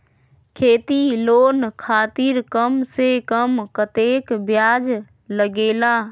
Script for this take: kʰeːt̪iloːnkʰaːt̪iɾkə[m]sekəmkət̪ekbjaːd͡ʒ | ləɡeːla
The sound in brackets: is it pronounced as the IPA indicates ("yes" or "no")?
yes